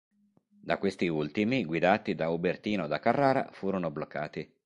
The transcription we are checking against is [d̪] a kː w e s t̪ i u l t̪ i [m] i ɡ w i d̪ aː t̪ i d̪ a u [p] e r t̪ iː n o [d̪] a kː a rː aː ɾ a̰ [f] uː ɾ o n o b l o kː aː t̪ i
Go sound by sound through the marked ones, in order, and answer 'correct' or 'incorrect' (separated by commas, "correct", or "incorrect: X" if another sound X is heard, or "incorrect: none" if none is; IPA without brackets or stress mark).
correct, correct, incorrect: b, correct, correct